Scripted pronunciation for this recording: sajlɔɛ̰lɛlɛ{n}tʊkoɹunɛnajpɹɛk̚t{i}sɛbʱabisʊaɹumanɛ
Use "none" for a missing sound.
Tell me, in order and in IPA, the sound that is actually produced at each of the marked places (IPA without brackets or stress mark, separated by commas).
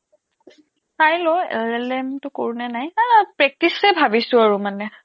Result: m, i